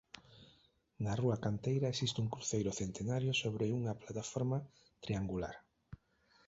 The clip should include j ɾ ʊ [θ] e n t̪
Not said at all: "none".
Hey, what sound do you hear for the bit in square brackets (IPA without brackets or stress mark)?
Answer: θ